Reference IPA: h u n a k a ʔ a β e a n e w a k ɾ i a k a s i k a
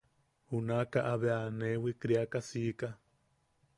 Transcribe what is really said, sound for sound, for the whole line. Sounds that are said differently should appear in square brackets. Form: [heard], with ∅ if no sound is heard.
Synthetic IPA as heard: h u n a k a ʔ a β e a n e w [i] k ɾ i a k a s i k a